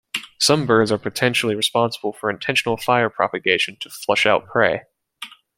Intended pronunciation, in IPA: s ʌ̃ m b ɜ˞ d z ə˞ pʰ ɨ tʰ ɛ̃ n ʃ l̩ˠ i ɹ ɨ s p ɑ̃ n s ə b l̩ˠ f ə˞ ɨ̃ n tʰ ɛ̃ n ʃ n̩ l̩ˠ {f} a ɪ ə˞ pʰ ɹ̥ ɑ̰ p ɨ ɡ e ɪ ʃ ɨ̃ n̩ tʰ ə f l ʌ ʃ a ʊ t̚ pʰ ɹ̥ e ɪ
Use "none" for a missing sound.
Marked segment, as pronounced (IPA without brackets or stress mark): f